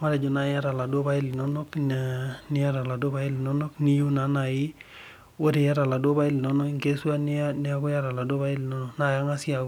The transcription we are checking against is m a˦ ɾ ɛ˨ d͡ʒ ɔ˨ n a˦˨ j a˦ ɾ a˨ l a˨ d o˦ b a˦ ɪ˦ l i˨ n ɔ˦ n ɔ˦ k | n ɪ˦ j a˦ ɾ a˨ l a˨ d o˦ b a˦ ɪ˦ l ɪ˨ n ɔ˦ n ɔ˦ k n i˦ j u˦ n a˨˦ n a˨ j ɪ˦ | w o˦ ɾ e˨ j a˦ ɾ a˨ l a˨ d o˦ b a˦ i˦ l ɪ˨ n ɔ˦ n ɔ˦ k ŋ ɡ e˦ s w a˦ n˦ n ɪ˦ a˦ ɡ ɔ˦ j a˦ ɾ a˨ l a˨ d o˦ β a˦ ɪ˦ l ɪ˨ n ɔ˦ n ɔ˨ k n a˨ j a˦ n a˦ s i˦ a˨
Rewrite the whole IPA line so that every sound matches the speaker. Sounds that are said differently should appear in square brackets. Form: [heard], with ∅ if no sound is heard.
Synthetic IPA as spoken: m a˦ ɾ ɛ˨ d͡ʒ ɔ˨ n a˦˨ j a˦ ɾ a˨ l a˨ d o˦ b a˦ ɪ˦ l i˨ n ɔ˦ n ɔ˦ k | n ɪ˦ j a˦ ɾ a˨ l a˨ d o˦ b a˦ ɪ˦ l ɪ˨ n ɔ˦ n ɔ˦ k n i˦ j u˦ n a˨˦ n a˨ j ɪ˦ | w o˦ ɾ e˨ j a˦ ɾ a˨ l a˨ d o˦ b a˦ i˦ l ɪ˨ n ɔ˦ n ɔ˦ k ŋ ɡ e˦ s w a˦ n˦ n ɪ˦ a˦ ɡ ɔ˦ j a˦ ɾ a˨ l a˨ d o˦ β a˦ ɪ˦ l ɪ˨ n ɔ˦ n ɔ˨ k n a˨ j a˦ [ŋ] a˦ s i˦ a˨